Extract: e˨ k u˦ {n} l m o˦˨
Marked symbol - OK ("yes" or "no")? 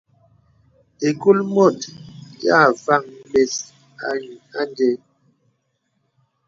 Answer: no